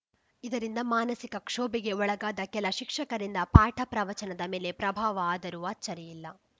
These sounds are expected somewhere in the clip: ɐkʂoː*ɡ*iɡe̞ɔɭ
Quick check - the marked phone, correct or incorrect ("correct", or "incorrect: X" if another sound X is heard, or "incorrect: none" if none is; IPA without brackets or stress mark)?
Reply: incorrect: b